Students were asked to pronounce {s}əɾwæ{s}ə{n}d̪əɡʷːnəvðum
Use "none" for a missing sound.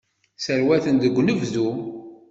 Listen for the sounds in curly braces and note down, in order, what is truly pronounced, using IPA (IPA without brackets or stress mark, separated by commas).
s, θ, n